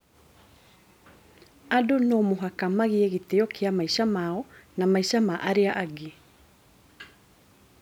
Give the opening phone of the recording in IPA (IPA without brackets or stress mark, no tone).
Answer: a